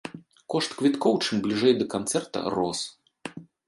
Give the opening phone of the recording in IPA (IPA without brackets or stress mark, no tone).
k